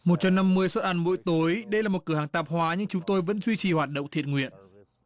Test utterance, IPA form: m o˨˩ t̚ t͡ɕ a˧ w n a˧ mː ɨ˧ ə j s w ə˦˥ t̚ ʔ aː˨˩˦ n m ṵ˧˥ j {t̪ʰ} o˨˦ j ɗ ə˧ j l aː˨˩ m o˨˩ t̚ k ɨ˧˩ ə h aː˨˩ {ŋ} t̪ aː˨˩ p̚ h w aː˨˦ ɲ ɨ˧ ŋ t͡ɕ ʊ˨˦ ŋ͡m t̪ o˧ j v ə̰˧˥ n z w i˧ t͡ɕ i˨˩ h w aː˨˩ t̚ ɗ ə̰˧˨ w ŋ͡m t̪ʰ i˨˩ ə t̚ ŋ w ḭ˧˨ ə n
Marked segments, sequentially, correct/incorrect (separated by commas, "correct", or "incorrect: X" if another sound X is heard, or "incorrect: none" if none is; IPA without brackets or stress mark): incorrect: t̪, correct